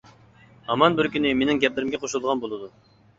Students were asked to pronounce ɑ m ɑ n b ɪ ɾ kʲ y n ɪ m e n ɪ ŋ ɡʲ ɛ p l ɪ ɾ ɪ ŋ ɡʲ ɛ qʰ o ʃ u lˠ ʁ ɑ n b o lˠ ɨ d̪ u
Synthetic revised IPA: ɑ m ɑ n b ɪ ɾ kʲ y n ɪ m e n ɪ ŋ ɡʲ ɛ p l ɪ ɾ ɪ m ɡʲ ɛ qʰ o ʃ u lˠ ʁ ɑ n b o lˠ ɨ d̪ u